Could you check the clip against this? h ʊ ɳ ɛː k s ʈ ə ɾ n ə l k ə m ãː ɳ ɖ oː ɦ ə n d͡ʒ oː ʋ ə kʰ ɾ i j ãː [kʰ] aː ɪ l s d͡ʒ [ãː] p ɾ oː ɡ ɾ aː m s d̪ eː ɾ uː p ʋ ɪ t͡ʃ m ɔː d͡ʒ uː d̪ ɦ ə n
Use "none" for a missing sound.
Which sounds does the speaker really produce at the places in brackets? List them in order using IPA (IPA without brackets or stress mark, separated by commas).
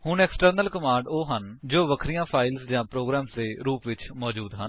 pʰ, ãː